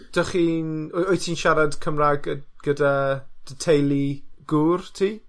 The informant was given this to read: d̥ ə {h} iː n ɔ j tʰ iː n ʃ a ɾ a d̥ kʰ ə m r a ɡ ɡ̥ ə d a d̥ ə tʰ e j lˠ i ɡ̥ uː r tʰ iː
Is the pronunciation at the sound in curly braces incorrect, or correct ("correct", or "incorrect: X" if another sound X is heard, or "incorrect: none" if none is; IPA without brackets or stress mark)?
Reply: incorrect: χ